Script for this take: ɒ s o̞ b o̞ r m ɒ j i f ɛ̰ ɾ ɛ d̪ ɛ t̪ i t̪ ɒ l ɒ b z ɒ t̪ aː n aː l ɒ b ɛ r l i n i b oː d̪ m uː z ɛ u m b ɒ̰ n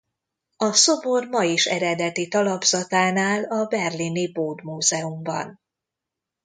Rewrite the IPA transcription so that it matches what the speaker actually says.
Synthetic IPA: ɒ s o̞ b o̞ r m ɒ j i ʃ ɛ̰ ɾ ɛ d̪ ɛ t̪ i t̪ ɒ l ɒ b z ɒ t̪ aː n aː l ɒ b ɛ r l i n i b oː d̪ m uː z ɛ u m b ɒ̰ n